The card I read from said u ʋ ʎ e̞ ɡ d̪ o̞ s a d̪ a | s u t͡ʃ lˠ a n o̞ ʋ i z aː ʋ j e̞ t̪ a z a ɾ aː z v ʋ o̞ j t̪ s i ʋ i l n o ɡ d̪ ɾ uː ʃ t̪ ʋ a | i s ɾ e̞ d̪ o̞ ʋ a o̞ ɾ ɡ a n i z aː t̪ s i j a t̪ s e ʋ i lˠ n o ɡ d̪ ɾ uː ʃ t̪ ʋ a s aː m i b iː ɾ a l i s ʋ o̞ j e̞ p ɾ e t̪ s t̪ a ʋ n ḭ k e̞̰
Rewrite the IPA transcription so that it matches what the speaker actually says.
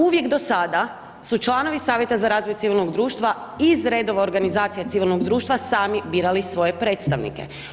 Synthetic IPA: u ʋ j e̞ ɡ d̪ o̞ s a d̪ a | s u t͡ʃ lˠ a n o̞ ʋ i s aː ʋ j e̞ t̪ a z a ɾ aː z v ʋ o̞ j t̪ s i ʋ i l n o ɡ d̪ ɾ uː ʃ t̪ ʋ a | i z ɾ e̞ d̪ o̞ ʋ a o̞ ɾ ɡ a n i z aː t̪ s i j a t̪ s i ʋ i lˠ n o ɡ d̪ ɾ uː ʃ t̪ ʋ a s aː m i b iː ɾ a l i s ʋ o̞ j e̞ p ɾ e t̪ s t̪ a ʋ n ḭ k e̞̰